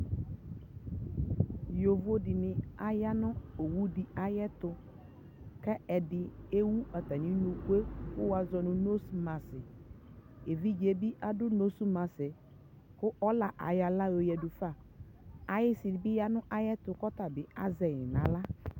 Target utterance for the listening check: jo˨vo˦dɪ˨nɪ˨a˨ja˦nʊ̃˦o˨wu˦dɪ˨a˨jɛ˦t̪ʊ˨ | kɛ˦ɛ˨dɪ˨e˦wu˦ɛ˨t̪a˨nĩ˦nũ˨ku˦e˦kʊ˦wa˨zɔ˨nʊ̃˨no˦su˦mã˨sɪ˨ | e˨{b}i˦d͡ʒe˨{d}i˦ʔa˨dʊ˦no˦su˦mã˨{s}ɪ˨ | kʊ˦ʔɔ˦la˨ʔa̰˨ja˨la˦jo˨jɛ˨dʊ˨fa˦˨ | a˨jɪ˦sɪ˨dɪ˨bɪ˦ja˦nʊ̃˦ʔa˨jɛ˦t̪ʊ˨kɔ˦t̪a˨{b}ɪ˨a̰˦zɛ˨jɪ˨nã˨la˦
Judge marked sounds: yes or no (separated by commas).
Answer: no, no, yes, yes